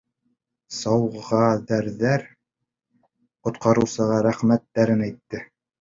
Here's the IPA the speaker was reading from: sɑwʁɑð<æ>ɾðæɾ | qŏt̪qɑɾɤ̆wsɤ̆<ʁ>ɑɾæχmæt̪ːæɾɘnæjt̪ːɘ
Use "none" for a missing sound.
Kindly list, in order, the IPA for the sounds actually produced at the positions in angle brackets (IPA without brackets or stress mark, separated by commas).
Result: æ, ʁ